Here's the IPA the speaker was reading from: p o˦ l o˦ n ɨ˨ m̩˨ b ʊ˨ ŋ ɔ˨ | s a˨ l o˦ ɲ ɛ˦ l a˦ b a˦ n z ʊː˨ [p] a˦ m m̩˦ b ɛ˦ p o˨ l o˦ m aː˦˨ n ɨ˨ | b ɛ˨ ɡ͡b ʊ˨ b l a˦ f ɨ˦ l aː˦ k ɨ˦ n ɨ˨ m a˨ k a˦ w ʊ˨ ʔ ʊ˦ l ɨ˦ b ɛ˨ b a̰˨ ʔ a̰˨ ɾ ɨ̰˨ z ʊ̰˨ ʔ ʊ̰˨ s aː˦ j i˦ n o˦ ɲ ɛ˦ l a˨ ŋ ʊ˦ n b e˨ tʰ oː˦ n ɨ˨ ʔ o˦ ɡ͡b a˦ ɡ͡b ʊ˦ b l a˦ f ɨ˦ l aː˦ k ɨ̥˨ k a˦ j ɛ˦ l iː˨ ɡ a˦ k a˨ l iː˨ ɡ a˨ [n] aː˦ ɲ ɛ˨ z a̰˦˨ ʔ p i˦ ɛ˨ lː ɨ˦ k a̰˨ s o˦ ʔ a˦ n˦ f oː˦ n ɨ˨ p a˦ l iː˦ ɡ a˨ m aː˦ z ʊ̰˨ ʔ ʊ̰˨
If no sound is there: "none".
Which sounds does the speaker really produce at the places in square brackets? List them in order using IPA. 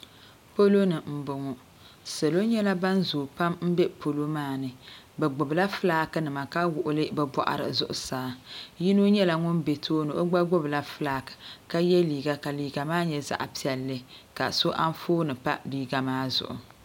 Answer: p, m

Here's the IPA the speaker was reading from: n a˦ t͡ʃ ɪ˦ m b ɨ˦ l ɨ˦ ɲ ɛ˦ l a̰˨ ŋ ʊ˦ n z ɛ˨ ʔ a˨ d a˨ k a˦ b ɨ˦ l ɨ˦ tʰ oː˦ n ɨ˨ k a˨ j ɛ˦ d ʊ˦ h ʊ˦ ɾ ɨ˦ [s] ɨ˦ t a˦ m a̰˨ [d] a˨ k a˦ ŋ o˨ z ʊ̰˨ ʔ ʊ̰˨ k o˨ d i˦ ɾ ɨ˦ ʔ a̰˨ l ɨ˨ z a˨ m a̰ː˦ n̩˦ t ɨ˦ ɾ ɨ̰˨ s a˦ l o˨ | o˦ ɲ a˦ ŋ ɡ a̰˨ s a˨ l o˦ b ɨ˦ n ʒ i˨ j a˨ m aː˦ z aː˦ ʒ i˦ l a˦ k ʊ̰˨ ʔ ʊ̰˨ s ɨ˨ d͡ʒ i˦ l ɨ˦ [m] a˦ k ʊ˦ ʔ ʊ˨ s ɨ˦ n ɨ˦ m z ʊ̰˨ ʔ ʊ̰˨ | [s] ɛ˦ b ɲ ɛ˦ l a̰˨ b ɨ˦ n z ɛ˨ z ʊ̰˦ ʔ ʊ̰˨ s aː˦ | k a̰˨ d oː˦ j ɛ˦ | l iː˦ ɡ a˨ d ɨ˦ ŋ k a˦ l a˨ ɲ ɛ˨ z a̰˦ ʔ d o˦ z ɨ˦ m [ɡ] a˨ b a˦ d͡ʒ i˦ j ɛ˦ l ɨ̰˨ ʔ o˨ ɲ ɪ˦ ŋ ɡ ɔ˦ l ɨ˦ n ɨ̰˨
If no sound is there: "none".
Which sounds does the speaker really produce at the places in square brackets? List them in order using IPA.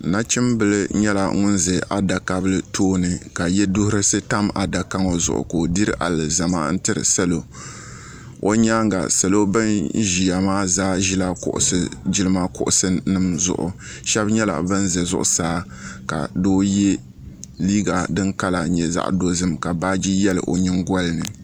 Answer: s, d, m, ʃ, k

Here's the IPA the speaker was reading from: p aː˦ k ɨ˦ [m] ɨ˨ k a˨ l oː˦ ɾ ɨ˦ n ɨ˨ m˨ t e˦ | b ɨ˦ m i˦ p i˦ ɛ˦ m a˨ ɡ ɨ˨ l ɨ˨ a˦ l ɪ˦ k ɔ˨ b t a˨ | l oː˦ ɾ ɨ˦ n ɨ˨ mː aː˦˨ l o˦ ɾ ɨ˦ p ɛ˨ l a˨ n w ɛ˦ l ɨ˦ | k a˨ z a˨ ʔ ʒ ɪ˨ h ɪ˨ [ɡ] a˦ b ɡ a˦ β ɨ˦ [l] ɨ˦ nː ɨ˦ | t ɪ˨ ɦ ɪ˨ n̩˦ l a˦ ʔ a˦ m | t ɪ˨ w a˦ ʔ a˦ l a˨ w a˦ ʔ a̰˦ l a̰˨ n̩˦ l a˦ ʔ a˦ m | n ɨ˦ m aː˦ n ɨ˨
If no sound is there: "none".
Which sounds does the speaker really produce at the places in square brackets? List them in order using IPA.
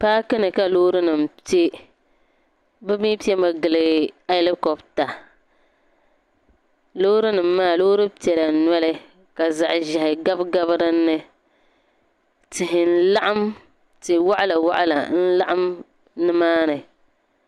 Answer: n, ɡ, ɾ

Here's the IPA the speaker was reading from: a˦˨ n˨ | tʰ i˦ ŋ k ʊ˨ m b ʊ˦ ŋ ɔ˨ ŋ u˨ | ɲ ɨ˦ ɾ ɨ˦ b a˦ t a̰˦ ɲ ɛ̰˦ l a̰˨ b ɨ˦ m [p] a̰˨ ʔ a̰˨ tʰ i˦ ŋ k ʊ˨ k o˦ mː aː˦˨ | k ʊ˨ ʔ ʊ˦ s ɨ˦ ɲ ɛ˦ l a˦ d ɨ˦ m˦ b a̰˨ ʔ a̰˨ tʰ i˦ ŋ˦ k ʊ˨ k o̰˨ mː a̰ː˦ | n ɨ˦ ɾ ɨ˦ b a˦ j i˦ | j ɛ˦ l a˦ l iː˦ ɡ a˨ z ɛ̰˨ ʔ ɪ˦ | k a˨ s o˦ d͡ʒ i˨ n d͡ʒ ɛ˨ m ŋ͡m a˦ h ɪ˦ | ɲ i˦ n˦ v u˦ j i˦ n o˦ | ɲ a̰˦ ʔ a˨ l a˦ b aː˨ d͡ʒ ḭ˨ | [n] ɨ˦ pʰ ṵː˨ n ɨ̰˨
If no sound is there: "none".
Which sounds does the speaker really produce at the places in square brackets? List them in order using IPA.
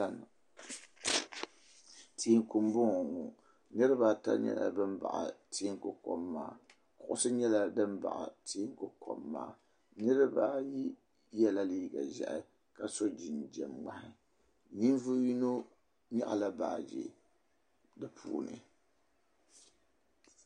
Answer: b, d

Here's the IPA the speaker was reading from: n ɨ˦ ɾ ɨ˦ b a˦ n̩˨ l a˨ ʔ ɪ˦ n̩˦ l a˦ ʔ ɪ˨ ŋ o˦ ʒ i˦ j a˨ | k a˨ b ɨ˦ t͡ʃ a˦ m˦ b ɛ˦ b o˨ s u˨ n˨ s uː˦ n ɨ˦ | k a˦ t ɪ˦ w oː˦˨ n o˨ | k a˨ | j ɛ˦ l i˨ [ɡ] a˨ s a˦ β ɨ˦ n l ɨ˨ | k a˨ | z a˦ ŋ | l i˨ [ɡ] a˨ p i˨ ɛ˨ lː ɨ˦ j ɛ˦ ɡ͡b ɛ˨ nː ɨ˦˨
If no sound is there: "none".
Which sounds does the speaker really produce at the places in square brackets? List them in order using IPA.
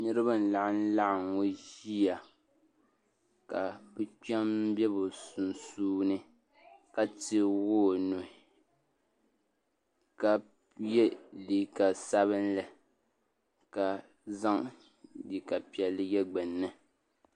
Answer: k, k

